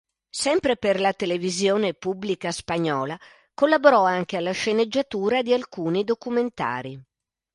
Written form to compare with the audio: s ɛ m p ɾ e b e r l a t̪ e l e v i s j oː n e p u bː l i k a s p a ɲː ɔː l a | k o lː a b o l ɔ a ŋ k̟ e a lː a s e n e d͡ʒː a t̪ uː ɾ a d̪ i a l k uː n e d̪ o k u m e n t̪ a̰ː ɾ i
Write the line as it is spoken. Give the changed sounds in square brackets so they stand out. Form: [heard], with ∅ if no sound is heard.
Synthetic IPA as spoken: s ɛ m p ɾ e [p] e r l a t̪ e l e v i [z] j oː n e p u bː l i k a s p a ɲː ɔː l a | k o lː a b o [ɾ] ɔ a ŋ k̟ e a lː a [ʃ] e n e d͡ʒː a t̪ uː ɾ a d̪ i a l k uː n [i] d̪ o k u m e n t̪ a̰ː ɾ i